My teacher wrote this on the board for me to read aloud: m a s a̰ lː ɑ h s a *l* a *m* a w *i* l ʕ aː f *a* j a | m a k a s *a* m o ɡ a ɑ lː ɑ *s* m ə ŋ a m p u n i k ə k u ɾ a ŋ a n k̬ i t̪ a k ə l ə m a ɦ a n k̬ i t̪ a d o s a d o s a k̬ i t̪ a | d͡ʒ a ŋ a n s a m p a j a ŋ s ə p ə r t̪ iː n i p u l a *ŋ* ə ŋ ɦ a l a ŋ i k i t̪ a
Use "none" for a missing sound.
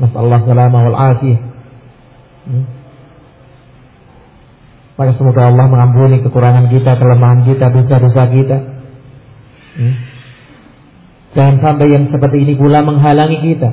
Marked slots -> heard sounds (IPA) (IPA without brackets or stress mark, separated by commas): l, m, a, i, ə, h, m